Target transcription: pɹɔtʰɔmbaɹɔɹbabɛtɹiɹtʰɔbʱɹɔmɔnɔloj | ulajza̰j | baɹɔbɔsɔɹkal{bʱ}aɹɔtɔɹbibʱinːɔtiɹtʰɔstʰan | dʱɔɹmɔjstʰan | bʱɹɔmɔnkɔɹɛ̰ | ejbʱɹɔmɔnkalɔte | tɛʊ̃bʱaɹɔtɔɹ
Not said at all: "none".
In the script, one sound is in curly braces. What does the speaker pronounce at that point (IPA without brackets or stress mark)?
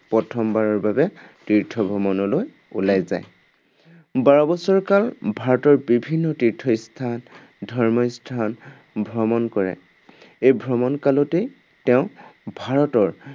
bʱ